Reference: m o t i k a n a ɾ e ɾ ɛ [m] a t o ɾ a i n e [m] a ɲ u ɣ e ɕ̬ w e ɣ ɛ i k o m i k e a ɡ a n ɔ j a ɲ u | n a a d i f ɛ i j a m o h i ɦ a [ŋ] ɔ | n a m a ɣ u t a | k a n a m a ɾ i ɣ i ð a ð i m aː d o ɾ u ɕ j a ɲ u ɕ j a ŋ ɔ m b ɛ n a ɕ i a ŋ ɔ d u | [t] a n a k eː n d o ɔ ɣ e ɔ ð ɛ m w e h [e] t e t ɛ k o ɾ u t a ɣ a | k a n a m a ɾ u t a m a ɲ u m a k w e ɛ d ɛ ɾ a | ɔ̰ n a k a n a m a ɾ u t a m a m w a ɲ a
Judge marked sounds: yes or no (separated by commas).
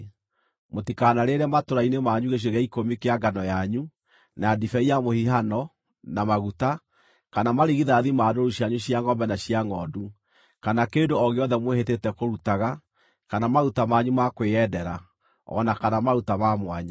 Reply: yes, yes, no, no, yes